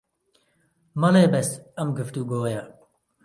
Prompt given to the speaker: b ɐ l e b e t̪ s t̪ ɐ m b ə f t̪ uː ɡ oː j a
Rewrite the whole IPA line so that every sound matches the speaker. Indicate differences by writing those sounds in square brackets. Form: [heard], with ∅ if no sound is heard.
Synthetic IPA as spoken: [m] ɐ l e b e [∅] s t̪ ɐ m [ɡ] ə f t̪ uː ɡ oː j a